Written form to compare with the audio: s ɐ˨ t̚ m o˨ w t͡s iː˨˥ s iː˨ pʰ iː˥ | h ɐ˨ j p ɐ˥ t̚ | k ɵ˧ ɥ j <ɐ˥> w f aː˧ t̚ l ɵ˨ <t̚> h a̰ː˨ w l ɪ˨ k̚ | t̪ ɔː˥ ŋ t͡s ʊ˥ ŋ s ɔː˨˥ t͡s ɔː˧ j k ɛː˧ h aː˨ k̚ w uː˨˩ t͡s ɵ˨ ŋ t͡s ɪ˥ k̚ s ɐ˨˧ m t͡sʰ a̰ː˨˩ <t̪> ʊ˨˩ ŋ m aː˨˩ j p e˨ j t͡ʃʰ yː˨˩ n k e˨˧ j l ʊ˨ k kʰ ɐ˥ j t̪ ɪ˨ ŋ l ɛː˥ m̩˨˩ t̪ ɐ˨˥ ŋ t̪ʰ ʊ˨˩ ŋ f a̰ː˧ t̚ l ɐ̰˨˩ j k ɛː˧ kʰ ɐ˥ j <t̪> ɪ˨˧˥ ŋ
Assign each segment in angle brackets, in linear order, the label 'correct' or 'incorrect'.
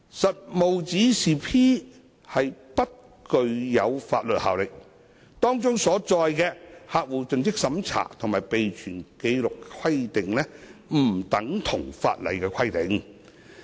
incorrect, correct, incorrect, correct

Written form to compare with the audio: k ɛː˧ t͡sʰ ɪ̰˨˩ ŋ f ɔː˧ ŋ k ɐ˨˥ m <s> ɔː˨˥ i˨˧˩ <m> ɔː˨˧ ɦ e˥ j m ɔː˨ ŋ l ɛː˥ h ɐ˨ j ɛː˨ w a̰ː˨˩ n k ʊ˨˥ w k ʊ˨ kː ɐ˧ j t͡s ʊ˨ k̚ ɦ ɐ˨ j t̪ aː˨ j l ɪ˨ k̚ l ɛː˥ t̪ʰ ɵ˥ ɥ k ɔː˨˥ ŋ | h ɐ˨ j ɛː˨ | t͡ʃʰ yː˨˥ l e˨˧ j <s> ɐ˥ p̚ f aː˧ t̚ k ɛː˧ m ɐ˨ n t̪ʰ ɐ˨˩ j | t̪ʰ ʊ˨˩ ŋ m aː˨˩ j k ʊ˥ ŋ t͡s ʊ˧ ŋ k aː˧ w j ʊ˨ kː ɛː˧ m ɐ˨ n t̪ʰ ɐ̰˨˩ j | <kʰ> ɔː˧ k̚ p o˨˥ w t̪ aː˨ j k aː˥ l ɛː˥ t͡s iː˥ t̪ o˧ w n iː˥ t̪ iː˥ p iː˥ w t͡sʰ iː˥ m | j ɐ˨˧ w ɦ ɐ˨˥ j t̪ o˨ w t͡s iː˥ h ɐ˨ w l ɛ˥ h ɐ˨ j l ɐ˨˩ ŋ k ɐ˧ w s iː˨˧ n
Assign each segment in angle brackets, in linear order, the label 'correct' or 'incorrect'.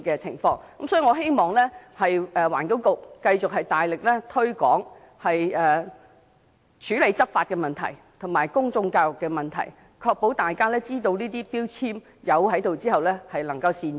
correct, incorrect, incorrect, correct

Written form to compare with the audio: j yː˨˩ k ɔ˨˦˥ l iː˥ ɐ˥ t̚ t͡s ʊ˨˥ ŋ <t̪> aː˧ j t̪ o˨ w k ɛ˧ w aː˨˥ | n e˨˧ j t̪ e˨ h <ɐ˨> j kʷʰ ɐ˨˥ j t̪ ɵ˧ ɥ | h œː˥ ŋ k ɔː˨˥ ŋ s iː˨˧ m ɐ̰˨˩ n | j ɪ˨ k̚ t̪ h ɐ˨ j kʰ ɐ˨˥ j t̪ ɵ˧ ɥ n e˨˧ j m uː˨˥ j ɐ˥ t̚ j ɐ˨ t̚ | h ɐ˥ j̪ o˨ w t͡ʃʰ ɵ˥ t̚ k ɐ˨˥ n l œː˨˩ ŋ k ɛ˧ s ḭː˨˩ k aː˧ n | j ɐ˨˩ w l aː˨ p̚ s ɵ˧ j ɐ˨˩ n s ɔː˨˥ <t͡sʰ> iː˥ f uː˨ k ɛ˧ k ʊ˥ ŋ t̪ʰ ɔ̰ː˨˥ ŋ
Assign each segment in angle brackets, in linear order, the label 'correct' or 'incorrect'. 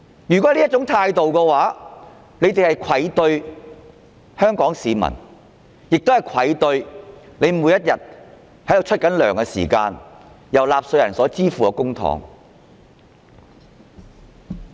incorrect, correct, incorrect

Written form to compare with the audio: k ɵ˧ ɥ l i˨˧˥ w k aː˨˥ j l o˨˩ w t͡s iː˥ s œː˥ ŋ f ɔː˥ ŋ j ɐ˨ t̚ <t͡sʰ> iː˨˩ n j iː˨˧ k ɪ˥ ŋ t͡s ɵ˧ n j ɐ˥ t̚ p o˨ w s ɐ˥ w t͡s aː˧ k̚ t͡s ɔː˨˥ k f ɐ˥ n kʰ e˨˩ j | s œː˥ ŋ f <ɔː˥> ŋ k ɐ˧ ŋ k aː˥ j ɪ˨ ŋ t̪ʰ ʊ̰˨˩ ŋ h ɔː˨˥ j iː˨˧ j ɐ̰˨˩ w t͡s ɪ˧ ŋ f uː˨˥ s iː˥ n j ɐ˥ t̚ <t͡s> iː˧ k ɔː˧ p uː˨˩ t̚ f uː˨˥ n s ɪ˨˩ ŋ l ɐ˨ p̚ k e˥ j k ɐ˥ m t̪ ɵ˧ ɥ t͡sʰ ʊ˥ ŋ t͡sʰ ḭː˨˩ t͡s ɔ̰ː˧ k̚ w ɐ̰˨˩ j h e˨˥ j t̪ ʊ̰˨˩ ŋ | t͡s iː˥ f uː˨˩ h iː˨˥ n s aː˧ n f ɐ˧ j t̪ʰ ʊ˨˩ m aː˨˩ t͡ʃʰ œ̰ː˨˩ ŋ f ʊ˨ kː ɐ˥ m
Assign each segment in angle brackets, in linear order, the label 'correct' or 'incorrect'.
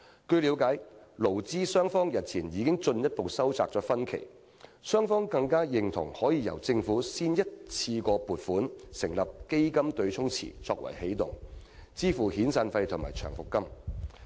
correct, correct, incorrect

